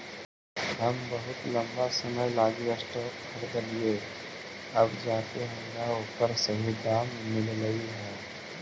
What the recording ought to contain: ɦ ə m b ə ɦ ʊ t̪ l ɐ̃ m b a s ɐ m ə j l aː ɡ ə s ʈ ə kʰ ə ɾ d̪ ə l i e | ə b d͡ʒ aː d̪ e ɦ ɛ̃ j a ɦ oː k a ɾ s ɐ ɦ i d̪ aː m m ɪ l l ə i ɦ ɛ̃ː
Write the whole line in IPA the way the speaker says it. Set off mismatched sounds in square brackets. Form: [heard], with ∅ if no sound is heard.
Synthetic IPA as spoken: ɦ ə m b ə ɦ ʊ t̪ l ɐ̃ m b a s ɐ m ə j l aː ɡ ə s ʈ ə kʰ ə ɾ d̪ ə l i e | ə b d͡ʒ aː [t̪] e ɦ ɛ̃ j a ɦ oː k [ə] ɾ s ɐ ɦ i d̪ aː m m ɪ l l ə i ɦ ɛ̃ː